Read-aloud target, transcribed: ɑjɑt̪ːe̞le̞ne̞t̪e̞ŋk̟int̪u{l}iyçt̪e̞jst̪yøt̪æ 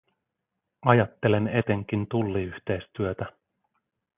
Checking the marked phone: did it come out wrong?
yes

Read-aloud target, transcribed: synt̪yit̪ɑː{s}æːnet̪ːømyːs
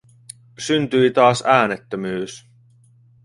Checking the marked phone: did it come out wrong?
no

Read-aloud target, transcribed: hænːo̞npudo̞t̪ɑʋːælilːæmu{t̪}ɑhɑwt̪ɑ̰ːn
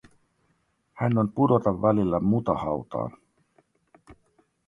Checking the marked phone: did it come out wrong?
no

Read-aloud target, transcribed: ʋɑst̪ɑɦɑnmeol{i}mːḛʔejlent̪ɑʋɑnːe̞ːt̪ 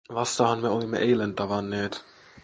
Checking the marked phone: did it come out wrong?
no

